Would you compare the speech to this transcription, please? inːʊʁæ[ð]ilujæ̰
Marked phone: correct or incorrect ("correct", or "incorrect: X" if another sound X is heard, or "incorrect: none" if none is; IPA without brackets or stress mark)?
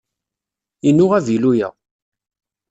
incorrect: v